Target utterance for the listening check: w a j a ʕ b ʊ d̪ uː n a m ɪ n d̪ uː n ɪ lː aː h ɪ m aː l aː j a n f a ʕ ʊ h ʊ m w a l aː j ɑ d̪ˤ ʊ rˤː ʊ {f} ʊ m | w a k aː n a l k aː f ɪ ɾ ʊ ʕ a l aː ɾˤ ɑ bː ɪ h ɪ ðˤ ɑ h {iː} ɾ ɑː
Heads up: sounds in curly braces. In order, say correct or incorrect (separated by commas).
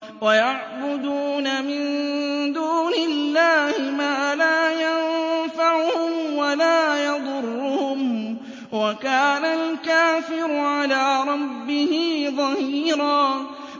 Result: incorrect, correct